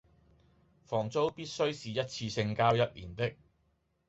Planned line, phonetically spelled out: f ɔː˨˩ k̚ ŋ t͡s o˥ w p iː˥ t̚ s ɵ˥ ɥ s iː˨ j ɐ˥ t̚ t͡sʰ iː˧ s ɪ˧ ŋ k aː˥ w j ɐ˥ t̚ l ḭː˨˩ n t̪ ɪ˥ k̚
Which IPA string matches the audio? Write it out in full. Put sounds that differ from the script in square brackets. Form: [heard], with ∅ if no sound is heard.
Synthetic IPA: f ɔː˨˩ [∅] ŋ t͡s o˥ w p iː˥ t̚ s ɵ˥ ɥ s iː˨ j ɐ˥ t̚ t͡sʰ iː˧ s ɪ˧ ŋ k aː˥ w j ɐ˥ t̚ l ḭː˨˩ n t̪ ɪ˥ k̚